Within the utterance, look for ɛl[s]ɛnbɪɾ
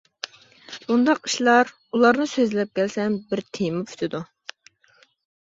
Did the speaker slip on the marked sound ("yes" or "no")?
no